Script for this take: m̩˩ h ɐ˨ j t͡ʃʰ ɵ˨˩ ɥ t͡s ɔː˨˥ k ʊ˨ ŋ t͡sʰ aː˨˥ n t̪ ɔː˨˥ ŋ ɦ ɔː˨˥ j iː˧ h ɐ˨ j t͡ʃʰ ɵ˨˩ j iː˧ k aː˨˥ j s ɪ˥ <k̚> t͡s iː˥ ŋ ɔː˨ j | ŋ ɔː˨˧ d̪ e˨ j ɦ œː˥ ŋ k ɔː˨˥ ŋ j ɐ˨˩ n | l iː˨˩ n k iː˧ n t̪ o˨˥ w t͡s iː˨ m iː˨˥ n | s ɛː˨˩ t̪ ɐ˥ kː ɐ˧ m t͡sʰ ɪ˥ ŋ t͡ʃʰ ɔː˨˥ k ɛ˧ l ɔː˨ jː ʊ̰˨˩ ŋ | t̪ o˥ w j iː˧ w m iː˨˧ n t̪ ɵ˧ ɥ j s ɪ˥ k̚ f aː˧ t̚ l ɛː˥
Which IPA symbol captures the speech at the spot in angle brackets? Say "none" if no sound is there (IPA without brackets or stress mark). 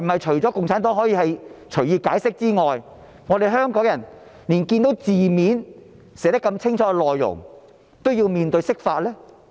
k̚